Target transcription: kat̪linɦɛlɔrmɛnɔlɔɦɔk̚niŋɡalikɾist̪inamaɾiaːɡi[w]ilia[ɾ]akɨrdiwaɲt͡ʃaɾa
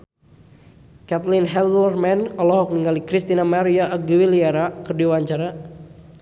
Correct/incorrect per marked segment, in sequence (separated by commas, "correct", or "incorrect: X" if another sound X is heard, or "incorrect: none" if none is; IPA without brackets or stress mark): correct, correct